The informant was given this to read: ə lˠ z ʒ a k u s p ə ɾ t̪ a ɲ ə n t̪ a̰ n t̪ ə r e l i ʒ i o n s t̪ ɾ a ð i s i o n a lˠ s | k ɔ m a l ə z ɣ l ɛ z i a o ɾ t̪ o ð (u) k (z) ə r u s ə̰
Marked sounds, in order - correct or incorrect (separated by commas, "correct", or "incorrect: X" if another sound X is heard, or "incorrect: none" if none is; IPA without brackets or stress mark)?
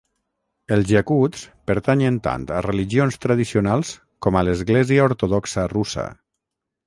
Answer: incorrect: ɔ, incorrect: s